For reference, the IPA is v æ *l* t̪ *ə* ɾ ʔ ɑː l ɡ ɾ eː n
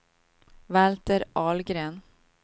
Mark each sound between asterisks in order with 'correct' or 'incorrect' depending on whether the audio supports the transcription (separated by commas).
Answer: correct, correct